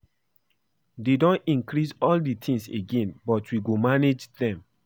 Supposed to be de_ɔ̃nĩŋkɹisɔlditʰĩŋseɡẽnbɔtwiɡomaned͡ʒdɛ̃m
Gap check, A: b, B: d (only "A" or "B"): B